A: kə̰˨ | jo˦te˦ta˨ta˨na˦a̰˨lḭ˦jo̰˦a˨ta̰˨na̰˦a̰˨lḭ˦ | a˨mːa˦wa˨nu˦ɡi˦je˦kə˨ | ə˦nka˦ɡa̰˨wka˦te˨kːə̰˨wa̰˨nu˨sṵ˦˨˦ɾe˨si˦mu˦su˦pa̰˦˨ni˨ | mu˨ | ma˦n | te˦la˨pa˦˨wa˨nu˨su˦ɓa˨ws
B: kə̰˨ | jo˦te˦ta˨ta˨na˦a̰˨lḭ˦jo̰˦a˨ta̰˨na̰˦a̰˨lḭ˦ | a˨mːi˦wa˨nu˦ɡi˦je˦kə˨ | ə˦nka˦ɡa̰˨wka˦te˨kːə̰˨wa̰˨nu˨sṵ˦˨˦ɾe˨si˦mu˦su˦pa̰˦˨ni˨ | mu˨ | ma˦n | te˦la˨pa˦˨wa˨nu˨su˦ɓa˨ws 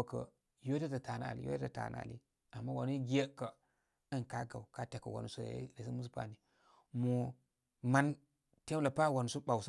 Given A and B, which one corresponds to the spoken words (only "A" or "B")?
A